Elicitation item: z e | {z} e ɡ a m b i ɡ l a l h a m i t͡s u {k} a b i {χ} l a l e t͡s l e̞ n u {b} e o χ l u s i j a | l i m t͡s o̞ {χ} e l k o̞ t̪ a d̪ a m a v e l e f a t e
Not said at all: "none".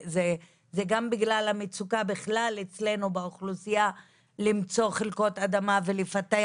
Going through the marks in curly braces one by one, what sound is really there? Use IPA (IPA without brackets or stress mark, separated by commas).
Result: z, k, χ, b, χ